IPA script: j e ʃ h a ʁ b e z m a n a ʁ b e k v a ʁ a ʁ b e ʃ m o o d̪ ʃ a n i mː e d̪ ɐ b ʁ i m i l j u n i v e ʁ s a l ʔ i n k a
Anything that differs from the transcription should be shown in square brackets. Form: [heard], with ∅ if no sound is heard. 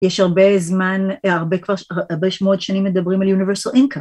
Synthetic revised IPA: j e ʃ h a ʁ b e z m a n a ʁ b e k v a ʁ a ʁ b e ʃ m o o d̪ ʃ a n i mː e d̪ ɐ b ʁ i m [a] l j u n i v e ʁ s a l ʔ i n k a